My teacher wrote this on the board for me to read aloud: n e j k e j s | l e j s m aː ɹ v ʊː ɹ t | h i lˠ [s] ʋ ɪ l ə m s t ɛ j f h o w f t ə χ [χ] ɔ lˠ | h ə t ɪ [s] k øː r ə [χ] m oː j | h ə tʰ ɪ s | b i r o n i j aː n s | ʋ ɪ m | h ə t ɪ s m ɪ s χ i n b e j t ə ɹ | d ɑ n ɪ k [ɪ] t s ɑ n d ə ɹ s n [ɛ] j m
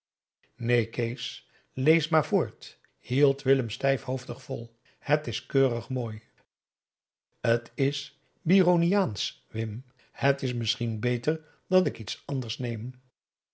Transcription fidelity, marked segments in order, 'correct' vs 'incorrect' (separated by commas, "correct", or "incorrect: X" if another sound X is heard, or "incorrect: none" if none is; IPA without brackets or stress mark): incorrect: t, incorrect: f, correct, correct, incorrect: i, incorrect: e